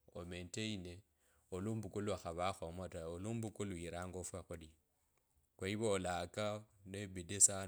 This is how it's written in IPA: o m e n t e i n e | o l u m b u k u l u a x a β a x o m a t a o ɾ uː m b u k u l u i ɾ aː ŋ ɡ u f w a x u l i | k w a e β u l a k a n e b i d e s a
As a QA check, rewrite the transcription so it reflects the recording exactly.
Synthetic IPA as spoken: o m e n t e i n e | o l u m b u k u l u a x a β a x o m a t a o l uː m b u k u l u i ɾ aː ŋ ɡ o f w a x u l i | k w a i β o l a k a n e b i d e s a